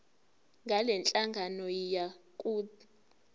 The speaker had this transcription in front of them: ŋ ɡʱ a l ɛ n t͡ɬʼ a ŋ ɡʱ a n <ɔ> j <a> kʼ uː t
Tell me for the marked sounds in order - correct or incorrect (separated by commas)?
correct, correct